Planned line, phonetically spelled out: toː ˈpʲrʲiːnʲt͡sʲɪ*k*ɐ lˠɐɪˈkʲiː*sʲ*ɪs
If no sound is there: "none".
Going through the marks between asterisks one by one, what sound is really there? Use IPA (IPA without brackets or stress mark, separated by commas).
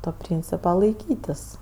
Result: p, tʲ